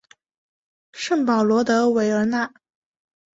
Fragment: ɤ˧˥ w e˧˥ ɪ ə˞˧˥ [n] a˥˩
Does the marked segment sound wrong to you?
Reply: no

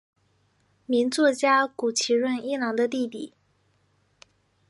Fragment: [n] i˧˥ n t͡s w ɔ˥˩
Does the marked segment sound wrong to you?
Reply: yes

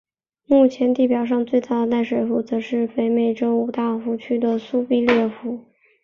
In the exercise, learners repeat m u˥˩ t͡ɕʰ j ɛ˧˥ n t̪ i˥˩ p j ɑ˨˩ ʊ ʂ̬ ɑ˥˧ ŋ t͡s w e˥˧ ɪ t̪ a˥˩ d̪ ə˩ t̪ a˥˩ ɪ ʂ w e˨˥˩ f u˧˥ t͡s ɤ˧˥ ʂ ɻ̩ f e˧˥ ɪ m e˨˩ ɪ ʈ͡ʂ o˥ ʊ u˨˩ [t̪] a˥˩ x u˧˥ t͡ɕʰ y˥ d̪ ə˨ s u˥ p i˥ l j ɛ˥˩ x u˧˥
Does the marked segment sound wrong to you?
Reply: no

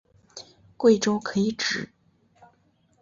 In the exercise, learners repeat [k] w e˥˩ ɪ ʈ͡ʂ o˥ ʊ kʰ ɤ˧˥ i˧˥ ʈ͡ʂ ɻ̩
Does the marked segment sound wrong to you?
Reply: no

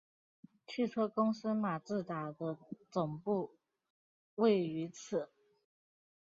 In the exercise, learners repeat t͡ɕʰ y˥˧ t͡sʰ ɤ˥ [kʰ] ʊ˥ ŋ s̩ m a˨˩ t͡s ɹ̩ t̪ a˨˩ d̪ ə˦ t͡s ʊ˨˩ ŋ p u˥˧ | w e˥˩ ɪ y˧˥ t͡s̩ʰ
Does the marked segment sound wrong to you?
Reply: yes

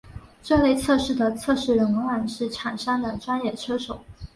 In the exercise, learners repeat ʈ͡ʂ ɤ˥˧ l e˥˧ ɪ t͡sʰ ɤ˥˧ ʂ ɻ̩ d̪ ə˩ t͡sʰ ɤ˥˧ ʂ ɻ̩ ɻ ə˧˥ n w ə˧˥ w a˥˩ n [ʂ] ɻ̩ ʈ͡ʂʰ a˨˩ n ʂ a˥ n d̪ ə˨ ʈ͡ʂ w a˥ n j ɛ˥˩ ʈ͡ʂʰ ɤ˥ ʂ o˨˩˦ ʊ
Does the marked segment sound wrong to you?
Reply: no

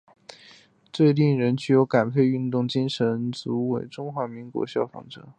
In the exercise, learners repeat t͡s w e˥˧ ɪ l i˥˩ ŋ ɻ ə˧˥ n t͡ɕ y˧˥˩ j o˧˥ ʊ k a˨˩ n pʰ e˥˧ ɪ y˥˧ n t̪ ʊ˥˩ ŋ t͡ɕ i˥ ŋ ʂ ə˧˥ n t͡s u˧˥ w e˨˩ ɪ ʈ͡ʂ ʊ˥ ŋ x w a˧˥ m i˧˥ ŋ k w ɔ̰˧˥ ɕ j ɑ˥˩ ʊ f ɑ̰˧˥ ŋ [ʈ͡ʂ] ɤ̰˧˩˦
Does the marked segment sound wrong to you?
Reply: no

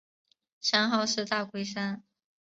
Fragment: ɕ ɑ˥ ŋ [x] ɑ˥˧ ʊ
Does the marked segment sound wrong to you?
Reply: no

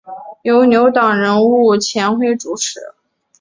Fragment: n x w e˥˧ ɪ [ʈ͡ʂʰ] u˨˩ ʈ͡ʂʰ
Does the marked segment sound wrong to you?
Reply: yes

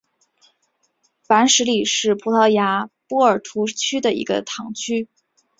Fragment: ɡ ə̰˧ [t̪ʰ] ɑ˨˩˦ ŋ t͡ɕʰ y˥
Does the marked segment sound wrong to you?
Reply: no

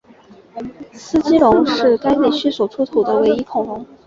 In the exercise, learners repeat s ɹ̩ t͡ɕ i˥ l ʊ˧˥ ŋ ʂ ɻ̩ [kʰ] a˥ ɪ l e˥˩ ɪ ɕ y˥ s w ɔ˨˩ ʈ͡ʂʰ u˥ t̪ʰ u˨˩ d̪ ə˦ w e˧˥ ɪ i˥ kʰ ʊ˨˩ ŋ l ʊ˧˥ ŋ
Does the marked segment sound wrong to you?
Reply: yes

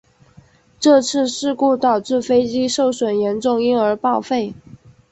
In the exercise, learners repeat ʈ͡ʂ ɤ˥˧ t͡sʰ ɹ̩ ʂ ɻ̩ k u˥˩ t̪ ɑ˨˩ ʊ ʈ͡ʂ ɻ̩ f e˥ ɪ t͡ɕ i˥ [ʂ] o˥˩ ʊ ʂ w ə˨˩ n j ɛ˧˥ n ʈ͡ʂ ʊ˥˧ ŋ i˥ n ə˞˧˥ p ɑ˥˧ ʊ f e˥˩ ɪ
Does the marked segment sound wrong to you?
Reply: no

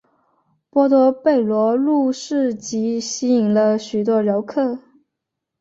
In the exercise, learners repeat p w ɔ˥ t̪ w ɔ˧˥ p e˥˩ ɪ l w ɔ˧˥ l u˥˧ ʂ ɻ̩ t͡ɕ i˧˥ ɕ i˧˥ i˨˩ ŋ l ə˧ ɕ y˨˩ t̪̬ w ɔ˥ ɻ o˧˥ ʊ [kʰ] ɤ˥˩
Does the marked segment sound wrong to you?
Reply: no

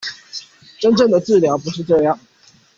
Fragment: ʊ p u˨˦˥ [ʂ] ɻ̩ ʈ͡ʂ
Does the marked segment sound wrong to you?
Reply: no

